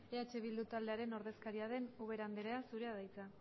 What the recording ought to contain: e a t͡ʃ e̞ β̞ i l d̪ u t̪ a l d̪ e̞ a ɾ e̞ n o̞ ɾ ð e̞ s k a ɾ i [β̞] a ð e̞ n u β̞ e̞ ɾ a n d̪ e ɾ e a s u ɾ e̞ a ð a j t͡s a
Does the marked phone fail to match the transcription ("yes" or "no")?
yes